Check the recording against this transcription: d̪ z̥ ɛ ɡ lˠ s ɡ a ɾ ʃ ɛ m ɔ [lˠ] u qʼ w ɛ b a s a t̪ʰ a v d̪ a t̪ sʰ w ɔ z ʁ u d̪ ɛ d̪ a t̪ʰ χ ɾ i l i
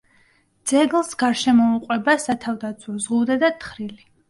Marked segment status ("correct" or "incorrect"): incorrect